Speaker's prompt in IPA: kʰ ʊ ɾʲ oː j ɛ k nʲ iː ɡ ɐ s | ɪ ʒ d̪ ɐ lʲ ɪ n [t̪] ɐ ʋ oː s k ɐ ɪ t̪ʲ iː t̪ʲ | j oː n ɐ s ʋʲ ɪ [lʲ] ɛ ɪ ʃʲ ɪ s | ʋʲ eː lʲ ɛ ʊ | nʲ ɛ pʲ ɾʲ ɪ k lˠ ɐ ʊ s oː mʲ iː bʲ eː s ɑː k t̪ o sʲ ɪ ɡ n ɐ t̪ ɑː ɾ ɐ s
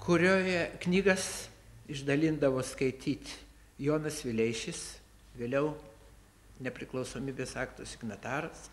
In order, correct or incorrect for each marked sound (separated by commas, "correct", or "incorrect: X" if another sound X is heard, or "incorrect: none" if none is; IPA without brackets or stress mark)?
incorrect: d̪, correct